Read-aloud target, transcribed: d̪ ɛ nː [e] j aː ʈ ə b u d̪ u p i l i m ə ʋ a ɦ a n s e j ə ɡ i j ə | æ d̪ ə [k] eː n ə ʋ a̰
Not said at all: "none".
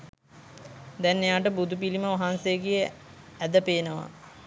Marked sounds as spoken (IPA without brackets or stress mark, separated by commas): e, p